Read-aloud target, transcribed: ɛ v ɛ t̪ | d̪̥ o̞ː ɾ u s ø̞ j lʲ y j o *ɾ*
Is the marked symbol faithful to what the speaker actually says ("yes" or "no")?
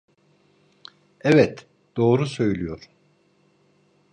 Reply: yes